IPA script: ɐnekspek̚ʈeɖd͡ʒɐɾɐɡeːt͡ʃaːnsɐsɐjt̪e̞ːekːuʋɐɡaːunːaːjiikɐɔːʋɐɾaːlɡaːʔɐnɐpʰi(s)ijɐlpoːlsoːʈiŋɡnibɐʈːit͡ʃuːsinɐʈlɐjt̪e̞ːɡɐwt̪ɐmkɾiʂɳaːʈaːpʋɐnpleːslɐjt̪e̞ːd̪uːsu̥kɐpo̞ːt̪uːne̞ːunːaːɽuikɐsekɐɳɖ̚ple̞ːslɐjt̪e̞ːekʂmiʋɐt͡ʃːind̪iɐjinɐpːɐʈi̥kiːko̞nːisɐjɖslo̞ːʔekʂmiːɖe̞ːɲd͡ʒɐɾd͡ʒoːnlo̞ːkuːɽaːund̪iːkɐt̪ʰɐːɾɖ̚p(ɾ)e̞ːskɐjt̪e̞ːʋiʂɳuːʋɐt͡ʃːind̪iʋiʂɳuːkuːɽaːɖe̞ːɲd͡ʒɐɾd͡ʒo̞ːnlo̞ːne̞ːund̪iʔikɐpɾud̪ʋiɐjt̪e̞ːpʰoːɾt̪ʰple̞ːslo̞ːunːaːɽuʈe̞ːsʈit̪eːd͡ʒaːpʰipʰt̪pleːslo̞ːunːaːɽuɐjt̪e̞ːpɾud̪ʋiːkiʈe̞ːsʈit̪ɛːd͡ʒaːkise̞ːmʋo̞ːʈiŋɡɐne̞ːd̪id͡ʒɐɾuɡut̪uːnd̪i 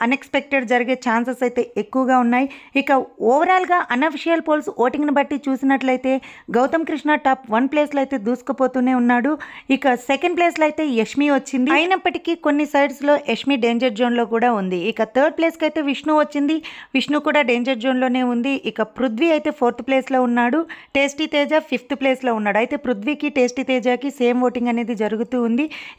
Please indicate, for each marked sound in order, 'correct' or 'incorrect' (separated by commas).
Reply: incorrect, incorrect